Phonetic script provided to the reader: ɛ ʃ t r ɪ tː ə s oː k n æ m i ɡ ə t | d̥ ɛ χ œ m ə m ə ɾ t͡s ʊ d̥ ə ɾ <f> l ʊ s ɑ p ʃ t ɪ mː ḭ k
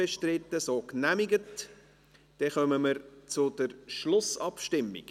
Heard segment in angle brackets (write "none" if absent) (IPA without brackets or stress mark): ʃ